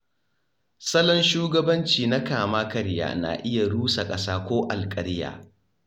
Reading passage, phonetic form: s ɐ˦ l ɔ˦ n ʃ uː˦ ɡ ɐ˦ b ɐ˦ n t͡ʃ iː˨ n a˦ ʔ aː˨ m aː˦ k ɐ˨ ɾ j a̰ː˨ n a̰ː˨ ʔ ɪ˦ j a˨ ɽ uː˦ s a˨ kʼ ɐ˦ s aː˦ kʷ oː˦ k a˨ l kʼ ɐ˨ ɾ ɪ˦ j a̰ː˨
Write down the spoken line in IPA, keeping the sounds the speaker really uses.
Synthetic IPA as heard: s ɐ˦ l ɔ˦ n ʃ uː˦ ɡ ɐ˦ b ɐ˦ n t͡ʃ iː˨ n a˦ k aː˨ m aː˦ k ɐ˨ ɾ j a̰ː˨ n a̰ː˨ ʔ ɪ˦ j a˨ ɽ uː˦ s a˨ kʼ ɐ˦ s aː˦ kʷ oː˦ ʔ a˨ l kʼ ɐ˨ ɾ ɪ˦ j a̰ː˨